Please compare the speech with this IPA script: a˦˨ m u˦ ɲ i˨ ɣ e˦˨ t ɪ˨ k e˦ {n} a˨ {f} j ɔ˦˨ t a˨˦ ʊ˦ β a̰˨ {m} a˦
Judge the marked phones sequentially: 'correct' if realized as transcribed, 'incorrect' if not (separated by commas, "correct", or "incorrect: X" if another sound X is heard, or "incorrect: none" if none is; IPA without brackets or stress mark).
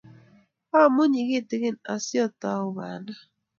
correct, incorrect: s, incorrect: n